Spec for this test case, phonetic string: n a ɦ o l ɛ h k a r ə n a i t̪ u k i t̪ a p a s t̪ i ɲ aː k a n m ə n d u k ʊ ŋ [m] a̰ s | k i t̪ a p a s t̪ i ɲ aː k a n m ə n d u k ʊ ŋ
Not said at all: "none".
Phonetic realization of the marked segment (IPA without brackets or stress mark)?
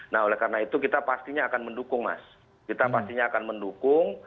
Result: m